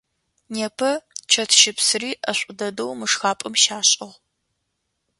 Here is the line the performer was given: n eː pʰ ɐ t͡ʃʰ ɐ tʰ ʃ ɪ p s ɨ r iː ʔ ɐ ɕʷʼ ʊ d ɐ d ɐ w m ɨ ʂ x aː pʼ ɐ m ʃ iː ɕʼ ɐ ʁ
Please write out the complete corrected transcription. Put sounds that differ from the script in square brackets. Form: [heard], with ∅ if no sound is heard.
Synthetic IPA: n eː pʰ ɐ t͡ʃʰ ɐ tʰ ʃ ɪ p s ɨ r iː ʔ ɐ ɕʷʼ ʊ d ɐ d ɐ w m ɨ ʂ x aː pʼ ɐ m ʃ [aː] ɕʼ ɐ ʁ